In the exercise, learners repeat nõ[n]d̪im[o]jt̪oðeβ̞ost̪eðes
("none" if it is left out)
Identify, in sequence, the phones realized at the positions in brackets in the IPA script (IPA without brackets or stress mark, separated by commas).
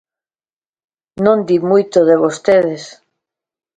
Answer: n, u